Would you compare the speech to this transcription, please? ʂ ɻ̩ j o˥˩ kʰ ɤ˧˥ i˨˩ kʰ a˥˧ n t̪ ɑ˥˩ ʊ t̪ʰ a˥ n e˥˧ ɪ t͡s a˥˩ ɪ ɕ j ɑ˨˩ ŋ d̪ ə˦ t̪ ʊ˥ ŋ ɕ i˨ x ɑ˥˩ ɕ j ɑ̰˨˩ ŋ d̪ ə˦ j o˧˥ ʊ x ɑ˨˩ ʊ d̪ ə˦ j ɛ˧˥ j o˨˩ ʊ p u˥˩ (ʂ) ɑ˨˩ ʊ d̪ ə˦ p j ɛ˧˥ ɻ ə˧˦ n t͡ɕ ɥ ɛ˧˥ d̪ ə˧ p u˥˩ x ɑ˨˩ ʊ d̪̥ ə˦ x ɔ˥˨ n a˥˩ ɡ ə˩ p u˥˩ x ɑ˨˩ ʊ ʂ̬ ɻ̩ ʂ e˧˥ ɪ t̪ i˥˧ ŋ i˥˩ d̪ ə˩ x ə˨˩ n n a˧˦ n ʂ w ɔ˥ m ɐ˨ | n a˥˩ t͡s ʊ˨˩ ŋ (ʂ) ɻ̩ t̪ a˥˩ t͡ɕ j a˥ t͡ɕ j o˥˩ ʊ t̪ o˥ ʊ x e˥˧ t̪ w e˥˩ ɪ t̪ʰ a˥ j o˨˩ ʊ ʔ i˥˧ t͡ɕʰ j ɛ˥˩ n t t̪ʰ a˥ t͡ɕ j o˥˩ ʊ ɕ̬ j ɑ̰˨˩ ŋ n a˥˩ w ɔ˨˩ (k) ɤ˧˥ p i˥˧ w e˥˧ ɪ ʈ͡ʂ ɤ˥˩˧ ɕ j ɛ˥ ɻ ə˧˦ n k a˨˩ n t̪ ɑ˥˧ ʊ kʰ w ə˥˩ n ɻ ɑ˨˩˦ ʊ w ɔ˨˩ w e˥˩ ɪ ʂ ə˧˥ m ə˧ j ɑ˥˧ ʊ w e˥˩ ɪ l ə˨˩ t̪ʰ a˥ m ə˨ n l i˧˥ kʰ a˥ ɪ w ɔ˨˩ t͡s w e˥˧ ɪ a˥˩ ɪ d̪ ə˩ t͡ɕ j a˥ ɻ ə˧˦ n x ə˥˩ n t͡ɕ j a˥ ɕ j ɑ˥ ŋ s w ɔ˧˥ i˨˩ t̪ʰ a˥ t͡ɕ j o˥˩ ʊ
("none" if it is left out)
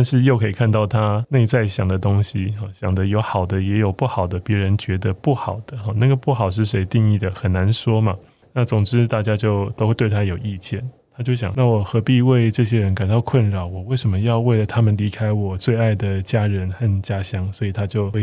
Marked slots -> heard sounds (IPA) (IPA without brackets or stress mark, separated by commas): x, ʈ͡ʂ, x